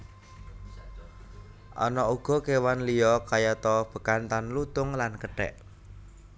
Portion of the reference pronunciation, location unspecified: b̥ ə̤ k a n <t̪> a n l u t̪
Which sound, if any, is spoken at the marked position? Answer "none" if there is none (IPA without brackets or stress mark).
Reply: t̪